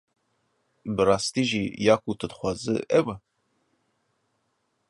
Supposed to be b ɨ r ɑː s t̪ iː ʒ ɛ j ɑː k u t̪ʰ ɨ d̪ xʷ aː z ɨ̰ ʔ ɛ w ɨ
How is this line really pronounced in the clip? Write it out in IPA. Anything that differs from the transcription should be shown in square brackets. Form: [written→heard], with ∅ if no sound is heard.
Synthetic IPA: b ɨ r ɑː s t̪ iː ʒ [ɛ→i] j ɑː k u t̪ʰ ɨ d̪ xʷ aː z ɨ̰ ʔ ɛ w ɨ

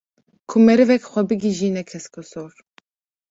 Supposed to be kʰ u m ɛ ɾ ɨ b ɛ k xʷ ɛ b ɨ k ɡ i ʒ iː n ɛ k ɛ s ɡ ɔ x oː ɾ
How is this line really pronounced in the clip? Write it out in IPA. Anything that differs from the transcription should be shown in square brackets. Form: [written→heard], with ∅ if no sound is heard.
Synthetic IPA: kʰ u m ɛ ɾ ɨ [b→v] ɛ k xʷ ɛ b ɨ [k→∅] ɡ i ʒ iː n ɛ [k→kʰ] ɛ s [ɡ→k] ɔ [x→s] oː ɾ

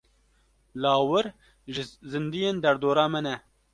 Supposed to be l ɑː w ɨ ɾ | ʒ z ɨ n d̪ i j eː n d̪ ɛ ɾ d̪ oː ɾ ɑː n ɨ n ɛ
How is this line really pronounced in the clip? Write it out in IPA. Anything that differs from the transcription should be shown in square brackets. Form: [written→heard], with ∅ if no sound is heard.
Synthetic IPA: l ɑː w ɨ ɾ | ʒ z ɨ n d̪ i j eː n d̪ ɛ ɾ d̪ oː ɾ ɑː [n→m] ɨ n ɛ

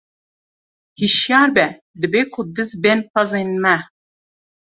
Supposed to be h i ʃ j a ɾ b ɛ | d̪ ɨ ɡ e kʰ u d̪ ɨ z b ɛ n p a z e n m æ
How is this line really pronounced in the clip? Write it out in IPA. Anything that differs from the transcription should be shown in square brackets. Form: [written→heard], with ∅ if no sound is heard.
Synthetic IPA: h i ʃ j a ɾ b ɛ | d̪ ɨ [ɡ→b] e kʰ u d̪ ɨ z b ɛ n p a z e n m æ

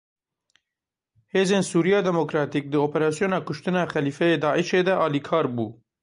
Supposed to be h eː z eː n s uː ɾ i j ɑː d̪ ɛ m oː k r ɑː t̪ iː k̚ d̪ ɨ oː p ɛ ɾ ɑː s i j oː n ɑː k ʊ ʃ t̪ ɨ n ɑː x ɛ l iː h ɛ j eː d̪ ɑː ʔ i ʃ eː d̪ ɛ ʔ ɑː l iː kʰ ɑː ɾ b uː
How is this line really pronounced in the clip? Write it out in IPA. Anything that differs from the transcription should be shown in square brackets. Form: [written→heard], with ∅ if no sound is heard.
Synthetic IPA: h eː z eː n s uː ɾ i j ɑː d̪ ɛ m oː k [r→ɾ] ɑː t̪ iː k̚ d̪ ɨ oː p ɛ ɾ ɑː s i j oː n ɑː k ʊ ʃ t̪ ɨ n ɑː x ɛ l iː [h→f] ɛ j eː d̪ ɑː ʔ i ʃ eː d̪ ɛ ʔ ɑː l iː kʰ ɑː ɾ b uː

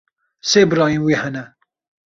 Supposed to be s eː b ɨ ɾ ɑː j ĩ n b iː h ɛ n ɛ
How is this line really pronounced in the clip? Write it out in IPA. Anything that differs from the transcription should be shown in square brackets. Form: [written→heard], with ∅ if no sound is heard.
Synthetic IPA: s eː b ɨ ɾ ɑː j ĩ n [b→w] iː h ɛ n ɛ

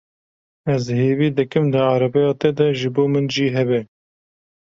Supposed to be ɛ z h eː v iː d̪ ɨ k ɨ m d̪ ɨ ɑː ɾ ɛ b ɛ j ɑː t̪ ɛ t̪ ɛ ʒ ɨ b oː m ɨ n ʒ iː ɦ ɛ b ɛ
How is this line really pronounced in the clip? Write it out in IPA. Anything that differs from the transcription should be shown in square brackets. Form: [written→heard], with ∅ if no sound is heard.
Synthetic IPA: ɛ z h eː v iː d̪ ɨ k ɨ m d̪ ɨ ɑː ɾ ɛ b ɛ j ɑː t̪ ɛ [t̪→d̪] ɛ ʒ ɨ b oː m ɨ n ʒ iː ɦ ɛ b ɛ

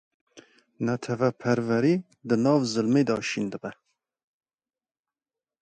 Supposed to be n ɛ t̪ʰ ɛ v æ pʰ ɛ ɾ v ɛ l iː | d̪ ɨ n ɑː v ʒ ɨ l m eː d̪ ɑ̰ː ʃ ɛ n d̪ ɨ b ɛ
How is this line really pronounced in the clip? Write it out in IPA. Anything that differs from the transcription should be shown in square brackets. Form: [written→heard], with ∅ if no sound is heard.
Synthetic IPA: n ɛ t̪ʰ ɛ v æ pʰ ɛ ɾ v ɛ [l→ɾ] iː | d̪ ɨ n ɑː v [ʒ→z] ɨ l m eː d̪ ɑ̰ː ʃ [ɛ→i] n d̪ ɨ b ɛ

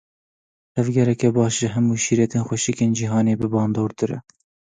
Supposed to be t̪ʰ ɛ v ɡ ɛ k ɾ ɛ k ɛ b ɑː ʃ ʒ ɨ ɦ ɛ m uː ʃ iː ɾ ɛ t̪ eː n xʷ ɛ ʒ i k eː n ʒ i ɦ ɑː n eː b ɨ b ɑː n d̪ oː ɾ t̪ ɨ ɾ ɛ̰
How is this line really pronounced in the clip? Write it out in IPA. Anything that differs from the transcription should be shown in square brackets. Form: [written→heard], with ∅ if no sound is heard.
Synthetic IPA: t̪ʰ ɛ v ɡ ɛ [k→∅] ɾ ɛ k ɛ b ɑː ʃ ʒ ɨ ɦ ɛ m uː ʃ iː ɾ ɛ t̪ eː n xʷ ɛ [ʒ→ʃ] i k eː n [ʒ→d͡ʒ] i ɦ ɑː n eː b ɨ b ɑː n d̪ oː ɾ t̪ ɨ ɾ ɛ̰

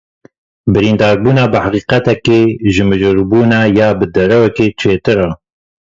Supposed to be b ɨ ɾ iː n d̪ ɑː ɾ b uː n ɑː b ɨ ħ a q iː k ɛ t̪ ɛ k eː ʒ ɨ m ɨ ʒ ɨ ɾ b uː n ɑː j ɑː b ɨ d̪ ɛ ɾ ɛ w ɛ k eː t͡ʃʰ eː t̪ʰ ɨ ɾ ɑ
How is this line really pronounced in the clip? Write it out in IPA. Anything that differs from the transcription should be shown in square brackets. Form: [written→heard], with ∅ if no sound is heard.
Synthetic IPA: b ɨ ɾ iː n d̪ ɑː ɾ b uː n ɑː b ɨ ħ a q iː [k→q] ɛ t̪ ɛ k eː ʒ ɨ m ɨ ʒ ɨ ɾ b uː n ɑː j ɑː b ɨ d̪ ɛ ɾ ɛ w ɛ k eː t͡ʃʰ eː [t̪ʰ→t̪] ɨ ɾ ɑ

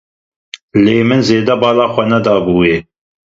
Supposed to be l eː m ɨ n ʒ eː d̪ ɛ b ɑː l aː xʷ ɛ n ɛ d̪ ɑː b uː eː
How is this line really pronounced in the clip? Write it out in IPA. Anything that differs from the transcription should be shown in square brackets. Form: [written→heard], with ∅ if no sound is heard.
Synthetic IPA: l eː m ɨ n [ʒ→z] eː d̪ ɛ b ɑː l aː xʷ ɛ n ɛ d̪ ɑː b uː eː

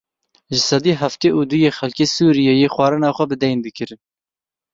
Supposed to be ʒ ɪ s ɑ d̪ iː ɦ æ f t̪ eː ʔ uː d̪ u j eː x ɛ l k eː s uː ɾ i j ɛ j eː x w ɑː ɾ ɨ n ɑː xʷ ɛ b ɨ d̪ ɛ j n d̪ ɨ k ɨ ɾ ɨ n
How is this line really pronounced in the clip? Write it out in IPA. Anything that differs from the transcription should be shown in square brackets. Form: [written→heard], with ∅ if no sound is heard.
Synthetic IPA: ʒ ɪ s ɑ d̪ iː ɦ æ f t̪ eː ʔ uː d̪ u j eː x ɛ l k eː s uː ɾ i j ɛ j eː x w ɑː ɾ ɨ n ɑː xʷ ɛ b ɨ d̪ ɛ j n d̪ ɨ k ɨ ɾ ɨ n

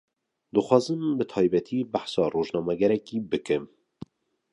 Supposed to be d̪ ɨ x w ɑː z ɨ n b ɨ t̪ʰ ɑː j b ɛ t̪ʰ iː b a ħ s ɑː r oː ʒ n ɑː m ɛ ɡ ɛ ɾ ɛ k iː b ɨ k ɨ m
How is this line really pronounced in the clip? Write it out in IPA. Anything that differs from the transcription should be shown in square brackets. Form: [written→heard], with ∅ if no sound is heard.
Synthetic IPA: d̪ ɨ x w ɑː z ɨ [n→m] b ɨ t̪ʰ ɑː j b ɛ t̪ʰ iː b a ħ s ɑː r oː ʒ n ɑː m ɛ ɡ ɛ ɾ ɛ k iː b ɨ k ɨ m

